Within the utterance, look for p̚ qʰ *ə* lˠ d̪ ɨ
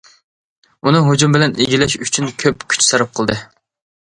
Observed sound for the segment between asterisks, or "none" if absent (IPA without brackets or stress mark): ə